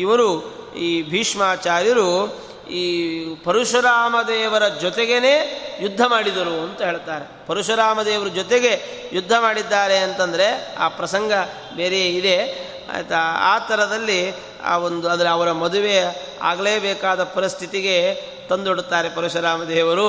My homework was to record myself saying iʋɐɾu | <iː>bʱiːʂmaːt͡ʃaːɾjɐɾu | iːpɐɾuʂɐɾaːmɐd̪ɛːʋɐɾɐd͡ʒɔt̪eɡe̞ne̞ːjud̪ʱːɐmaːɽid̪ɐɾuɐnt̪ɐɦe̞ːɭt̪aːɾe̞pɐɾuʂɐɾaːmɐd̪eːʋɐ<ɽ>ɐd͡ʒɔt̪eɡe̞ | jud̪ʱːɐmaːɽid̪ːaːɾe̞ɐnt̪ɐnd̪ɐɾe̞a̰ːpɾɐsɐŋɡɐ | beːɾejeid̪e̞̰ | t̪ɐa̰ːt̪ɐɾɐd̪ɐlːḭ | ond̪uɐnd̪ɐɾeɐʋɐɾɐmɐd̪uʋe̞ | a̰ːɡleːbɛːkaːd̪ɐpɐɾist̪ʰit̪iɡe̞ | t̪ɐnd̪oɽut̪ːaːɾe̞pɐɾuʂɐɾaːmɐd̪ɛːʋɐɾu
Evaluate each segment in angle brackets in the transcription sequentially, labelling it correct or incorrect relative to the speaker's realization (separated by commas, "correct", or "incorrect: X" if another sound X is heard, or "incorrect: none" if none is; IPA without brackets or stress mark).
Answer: correct, incorrect: ɾ